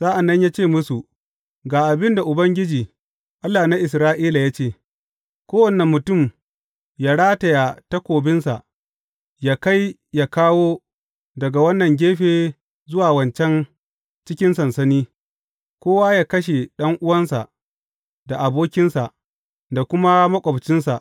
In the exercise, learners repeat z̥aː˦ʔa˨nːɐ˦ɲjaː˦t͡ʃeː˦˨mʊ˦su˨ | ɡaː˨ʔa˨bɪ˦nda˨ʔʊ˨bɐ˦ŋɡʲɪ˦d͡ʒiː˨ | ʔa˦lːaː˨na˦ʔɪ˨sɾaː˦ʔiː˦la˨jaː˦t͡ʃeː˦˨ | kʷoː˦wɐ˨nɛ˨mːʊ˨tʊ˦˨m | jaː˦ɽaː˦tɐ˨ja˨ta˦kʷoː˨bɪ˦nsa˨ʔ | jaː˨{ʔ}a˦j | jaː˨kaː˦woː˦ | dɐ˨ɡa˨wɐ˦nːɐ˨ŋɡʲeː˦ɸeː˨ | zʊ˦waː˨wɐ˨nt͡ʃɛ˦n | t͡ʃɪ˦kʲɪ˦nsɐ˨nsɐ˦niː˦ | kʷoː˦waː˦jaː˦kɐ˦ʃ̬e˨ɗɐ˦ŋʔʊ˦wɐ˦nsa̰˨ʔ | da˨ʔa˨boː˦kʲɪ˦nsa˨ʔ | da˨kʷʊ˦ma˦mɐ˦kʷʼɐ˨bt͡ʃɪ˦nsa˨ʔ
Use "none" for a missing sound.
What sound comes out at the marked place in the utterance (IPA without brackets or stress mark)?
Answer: k